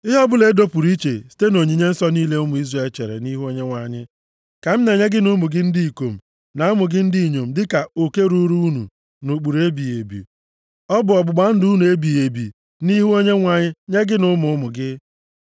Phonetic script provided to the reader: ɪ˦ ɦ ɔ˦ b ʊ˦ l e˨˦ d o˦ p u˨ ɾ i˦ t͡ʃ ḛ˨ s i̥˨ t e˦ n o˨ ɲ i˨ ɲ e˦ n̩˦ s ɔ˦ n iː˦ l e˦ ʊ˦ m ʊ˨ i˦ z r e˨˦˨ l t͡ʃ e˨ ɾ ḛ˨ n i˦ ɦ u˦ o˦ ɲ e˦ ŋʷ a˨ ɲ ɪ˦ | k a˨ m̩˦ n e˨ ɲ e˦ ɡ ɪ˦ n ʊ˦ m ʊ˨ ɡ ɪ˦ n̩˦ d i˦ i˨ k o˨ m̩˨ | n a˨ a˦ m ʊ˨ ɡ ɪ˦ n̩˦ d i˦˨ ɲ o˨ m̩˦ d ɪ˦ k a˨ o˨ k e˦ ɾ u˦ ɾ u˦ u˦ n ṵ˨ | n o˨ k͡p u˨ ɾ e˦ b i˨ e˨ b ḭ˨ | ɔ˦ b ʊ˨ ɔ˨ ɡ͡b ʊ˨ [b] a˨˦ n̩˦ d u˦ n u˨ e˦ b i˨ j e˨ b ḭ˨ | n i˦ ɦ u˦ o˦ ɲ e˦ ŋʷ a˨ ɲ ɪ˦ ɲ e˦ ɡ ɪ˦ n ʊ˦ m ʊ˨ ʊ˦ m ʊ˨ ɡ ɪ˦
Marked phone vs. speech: incorrect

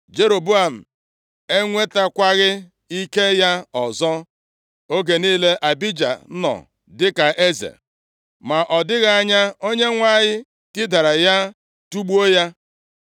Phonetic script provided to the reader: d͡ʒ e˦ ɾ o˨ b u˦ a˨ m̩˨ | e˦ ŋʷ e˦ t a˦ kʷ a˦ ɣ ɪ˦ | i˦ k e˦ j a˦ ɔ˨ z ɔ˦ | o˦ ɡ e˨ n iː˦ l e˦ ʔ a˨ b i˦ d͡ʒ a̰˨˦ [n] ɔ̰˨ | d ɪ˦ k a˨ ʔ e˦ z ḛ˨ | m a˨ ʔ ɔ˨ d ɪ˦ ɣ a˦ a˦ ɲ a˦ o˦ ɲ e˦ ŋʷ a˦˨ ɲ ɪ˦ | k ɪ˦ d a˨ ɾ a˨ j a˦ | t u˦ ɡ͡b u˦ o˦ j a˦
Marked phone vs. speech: correct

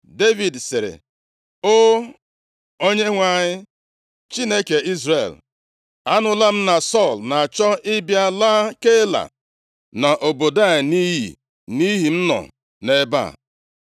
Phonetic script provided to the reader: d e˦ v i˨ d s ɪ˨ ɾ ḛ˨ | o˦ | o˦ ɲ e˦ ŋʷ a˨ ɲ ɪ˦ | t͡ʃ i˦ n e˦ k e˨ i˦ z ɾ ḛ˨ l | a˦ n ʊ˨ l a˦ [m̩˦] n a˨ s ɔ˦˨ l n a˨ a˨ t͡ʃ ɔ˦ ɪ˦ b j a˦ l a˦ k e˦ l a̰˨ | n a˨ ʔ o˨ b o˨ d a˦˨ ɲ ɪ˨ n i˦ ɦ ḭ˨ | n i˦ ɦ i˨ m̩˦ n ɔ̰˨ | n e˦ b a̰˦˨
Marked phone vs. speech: correct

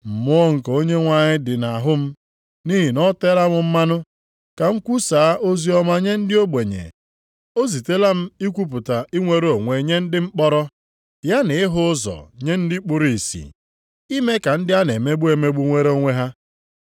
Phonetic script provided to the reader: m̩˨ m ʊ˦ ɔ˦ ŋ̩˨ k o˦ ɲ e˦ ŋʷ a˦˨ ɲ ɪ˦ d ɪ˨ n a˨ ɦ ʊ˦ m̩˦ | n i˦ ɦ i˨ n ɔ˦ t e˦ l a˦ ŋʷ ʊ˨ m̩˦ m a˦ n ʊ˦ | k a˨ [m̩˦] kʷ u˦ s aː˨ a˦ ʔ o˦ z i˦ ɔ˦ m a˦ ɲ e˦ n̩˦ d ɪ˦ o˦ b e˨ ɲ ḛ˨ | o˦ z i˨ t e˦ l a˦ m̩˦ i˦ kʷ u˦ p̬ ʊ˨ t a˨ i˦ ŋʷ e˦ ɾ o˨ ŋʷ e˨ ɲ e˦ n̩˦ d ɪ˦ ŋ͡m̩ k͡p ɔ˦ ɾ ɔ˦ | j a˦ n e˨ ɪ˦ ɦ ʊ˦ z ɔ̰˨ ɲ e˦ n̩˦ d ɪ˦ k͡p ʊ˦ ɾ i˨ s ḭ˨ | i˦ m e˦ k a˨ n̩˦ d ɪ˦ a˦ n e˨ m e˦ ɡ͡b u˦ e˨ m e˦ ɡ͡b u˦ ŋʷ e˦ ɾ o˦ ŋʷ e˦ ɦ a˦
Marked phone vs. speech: incorrect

